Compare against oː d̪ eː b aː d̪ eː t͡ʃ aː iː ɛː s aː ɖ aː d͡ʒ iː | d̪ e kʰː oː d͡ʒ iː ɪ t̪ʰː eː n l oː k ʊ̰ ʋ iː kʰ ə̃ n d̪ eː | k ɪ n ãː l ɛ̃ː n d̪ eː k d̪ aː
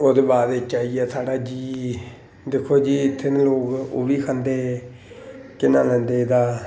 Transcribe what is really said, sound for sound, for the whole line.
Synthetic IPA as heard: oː d̪ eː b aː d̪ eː t͡ʃ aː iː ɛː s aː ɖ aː d͡ʒ iː | d̪ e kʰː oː d͡ʒ iː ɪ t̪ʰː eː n l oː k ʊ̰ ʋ iː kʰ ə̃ n d̪ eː | k ɪ n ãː l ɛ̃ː n d̪ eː d̪ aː